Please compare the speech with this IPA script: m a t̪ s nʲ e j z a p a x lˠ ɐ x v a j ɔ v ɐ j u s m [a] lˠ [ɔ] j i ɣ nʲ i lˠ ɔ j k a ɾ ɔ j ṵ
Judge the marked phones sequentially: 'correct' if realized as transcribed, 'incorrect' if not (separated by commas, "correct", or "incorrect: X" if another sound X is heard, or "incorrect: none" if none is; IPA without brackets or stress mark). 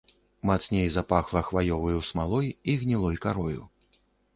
correct, correct